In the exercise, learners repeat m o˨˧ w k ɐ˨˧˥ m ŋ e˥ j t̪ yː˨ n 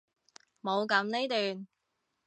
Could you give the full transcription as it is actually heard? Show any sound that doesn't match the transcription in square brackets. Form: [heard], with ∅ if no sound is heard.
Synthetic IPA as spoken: m o˨˧ w k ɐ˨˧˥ m [n] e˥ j t̪ yː˨ n